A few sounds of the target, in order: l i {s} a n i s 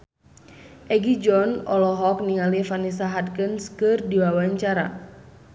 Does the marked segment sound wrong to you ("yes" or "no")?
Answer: yes